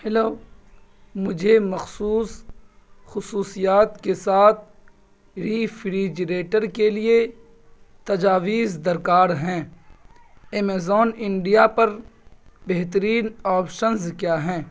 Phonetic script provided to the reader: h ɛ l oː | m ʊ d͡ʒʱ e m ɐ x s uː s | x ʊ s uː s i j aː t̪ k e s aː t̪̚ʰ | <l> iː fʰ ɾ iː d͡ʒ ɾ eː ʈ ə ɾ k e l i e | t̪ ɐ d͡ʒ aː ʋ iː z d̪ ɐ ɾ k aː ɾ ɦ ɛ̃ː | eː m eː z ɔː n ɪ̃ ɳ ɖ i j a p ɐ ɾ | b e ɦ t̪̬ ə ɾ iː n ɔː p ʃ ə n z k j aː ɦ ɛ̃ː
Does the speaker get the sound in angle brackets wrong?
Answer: yes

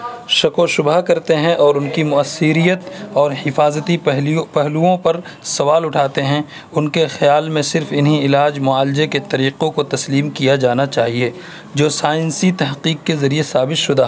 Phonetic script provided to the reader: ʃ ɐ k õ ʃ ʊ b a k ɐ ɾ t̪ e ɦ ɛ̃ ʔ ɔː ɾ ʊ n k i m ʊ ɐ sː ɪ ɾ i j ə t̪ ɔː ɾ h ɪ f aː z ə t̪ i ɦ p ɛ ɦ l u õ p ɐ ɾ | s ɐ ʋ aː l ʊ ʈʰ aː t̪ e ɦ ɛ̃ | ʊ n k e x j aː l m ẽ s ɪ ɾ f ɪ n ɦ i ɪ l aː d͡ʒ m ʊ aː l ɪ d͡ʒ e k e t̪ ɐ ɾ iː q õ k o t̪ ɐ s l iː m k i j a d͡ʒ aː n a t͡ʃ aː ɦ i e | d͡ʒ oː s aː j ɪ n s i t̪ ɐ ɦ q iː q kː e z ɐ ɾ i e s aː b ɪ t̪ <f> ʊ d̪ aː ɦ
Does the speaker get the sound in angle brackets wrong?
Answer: yes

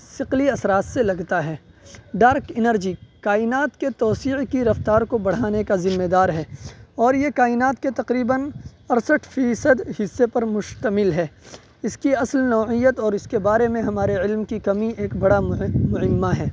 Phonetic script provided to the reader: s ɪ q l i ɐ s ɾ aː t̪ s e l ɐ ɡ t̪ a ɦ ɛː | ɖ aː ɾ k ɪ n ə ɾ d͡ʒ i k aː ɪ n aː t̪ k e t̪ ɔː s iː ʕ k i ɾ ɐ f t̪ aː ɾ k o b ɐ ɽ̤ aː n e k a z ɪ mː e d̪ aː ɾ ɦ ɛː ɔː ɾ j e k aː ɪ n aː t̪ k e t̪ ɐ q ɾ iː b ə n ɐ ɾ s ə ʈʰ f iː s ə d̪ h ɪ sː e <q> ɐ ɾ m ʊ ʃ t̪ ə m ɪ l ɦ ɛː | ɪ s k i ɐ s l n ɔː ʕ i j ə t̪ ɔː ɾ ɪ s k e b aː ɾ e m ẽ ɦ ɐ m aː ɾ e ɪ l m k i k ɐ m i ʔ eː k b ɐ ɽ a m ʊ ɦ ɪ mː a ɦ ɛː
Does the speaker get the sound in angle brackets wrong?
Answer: yes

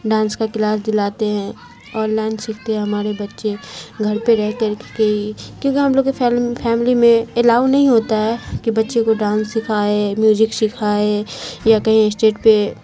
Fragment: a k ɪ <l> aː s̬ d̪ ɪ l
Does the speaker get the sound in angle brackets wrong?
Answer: no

